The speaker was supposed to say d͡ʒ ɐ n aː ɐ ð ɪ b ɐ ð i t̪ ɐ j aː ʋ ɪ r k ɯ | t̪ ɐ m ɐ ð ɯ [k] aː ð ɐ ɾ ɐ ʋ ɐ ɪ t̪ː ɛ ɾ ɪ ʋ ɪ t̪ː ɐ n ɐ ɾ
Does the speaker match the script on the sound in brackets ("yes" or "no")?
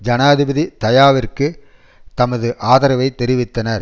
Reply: no